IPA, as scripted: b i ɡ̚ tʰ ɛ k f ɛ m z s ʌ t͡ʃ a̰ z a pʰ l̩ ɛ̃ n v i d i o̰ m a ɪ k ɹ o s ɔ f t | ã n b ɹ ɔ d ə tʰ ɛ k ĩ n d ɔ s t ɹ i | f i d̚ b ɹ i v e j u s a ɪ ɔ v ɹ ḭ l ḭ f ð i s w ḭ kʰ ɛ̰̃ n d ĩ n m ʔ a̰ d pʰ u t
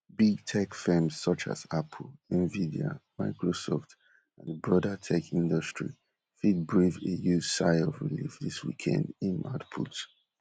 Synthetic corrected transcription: b i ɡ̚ tʰ ɛ k f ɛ m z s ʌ t͡ʃ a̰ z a pʰ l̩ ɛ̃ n v i d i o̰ m a ɪ k ɹ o s ɔ f t | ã n b ɹ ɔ d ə tʰ ɛ k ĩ n d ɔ s t ɹ i | f i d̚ b ɹ i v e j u s a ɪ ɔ v ɹ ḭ l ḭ f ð i s w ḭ kʰ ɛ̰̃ n d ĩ n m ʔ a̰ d pʰ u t